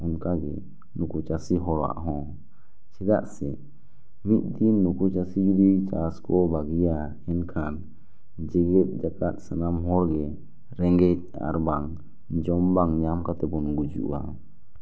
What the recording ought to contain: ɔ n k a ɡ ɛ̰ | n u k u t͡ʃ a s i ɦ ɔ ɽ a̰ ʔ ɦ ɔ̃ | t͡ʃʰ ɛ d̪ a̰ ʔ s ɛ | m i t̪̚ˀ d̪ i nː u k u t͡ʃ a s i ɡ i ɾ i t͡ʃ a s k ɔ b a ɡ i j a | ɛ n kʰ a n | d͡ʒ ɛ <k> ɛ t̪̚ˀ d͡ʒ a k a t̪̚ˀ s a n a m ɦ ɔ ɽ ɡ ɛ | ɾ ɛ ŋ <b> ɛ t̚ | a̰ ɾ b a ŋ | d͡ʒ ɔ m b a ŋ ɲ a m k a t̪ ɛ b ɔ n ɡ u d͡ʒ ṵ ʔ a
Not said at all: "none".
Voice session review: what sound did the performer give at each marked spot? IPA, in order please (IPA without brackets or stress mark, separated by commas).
ɡ, ɡ